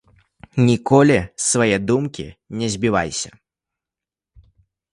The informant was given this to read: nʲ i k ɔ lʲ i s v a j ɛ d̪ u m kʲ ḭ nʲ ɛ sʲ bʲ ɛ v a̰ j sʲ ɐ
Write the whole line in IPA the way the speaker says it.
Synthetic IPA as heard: nʲ i k ɔ lʲ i s v a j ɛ d̪ u m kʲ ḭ nʲ ɛ zʲ bʲ i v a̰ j sʲ ɐ